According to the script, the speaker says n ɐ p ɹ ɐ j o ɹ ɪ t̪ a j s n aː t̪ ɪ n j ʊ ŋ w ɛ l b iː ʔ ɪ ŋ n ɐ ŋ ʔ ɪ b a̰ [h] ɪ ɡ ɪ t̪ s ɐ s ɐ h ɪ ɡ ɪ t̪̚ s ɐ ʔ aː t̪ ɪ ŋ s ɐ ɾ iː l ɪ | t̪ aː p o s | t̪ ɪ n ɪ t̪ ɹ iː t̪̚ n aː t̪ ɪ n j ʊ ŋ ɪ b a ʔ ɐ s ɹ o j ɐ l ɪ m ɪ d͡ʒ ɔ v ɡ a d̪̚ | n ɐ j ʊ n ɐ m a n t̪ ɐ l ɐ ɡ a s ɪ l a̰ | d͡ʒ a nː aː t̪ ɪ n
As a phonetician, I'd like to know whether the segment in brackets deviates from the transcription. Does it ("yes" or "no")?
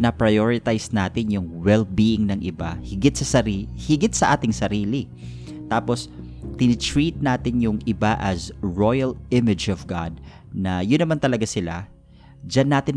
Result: no